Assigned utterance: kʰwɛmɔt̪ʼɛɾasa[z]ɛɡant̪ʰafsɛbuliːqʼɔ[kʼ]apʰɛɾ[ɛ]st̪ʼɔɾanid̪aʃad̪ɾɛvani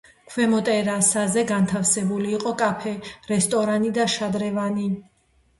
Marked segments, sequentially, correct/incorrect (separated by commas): correct, correct, correct